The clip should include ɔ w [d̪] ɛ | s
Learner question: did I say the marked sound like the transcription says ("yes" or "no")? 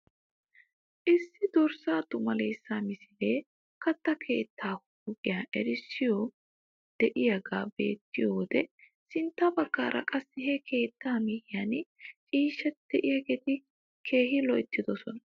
yes